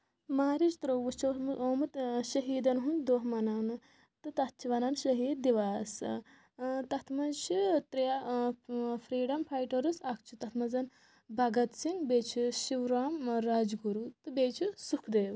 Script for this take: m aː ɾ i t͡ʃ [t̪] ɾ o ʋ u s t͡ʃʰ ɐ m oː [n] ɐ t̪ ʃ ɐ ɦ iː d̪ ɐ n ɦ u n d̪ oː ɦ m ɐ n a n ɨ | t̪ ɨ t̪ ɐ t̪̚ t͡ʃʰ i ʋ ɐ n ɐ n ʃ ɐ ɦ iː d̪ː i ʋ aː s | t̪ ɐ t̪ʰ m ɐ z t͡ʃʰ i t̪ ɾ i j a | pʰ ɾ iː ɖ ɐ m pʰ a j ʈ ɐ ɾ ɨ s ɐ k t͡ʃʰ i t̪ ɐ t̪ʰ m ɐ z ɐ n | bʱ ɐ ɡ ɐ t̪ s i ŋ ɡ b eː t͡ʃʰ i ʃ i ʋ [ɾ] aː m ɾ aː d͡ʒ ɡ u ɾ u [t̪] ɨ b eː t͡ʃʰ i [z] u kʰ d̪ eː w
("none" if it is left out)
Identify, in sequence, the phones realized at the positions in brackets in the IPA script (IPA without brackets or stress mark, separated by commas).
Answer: t̪, m, ɾ, t̪, s